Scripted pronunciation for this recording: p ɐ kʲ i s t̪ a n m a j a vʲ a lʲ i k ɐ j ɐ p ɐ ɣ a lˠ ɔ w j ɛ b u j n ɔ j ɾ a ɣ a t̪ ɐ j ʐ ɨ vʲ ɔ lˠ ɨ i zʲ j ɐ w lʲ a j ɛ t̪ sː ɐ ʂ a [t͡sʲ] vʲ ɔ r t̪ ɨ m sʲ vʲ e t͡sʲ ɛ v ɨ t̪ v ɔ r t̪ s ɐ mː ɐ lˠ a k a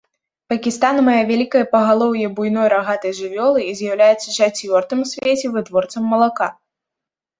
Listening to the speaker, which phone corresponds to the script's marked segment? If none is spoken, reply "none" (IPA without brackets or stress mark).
t͡sʲ